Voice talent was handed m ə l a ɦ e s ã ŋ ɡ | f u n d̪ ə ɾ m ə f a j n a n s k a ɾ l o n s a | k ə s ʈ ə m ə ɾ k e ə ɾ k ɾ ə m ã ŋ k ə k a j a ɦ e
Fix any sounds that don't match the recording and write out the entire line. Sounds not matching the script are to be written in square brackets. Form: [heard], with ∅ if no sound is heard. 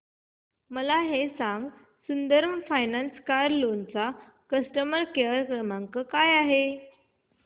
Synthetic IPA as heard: m ə l a ɦ e s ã ŋ ɡ | [s] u n d̪ ə ɾ m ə f a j n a n s k a ɾ l o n [t͡s] a | k ə s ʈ ə m ə ɾ k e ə ɾ k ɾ ə m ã ŋ k ə k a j a ɦ e

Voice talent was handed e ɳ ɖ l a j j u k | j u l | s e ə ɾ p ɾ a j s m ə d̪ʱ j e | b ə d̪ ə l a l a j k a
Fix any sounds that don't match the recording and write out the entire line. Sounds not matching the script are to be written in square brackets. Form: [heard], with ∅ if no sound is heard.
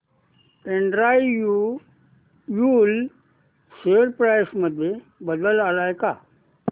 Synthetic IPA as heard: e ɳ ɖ [ɾ] a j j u [∅] | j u l | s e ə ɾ p ɾ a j s m ə d̪ʱ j e | b ə d̪ ə l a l a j k a

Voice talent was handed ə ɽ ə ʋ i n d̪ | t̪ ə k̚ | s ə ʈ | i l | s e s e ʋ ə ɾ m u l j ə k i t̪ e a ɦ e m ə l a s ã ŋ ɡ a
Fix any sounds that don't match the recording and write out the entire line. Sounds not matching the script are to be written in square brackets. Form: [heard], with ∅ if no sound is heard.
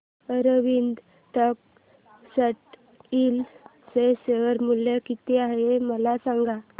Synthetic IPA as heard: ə [ɾ] ə ʋ i n d̪ | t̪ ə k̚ | s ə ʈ | i l | s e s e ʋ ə ɾ m u l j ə k i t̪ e a ɦ e m ə l a s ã ŋ ɡ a

